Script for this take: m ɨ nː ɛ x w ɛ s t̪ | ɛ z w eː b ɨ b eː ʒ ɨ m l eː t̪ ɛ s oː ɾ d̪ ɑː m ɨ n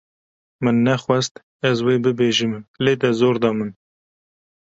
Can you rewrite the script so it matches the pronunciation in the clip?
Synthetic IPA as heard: m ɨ nː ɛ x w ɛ s t̪ | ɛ z w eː b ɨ b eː ʒ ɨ m l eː d̪ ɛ z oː ɾ d̪ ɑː m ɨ n